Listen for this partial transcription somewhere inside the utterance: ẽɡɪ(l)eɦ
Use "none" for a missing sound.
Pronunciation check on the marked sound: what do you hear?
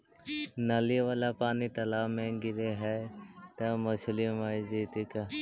ɾ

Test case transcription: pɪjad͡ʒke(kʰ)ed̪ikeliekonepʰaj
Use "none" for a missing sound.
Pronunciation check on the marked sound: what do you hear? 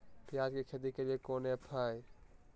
kʰ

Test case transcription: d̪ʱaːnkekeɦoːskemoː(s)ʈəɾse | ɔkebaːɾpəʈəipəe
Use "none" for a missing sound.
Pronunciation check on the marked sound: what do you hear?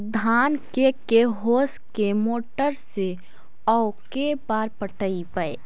none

